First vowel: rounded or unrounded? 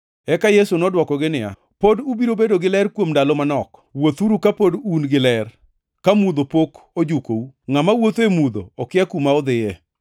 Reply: unrounded